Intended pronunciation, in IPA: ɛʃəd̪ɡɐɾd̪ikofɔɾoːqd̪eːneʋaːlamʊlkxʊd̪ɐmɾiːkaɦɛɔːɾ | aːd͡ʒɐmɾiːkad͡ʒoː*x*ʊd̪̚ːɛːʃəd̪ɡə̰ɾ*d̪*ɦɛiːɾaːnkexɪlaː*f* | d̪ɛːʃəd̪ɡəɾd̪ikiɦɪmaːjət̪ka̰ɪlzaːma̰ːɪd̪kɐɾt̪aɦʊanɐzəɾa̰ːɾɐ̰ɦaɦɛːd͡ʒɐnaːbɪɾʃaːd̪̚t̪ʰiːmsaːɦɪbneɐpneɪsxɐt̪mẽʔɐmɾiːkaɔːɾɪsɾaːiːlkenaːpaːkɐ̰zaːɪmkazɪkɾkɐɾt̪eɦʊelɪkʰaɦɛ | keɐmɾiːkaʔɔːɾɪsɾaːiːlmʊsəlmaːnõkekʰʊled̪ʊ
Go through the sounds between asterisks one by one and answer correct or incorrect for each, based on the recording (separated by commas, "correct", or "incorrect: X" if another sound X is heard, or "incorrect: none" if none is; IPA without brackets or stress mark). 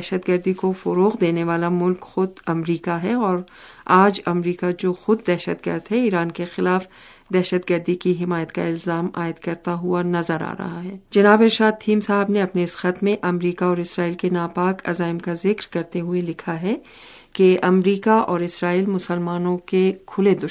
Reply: correct, correct, correct